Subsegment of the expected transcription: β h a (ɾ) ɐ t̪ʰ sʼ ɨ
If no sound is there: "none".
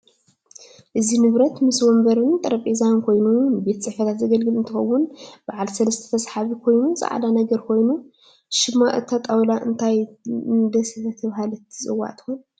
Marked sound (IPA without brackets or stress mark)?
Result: l